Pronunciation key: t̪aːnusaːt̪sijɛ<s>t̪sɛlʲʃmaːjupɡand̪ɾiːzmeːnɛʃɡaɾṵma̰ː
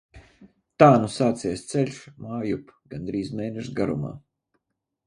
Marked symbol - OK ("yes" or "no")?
yes